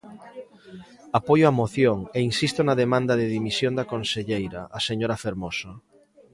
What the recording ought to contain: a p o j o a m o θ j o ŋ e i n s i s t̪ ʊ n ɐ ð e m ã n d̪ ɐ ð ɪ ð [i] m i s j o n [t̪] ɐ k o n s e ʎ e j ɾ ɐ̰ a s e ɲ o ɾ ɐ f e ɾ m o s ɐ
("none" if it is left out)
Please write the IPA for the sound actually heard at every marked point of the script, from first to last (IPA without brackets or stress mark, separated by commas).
i, d̪